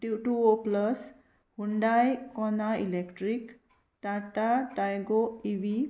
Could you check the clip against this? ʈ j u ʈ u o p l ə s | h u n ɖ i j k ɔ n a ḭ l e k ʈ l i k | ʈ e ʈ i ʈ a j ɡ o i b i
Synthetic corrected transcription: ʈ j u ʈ u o p l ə s | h u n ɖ a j k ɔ n a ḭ l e k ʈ ɾ i k | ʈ a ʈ a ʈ a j ɡ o i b i